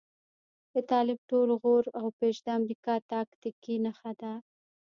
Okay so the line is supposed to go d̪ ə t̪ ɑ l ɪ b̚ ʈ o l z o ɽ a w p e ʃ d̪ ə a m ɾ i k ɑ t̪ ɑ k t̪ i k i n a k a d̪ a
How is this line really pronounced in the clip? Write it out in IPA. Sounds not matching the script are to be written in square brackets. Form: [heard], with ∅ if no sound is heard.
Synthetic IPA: d̪ ə t̪ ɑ l ɪ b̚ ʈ o l [ɣ] o [ɾ] a w p e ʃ d̪ ə a m ɾ i k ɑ t̪ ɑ k t̪ i k i n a [x] a d̪ a